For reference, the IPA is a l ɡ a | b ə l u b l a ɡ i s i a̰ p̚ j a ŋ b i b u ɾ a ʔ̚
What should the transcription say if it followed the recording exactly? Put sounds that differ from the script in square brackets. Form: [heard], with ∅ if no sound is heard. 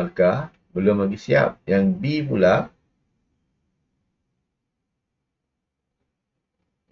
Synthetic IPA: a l [k] a | b ə l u [m] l a ɡ i s i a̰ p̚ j a ŋ b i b u [l] a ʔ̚